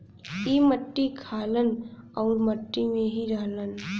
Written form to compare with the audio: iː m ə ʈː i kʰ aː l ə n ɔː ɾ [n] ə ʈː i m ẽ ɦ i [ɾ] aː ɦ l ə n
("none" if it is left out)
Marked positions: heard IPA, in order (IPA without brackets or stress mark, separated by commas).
m, ɾ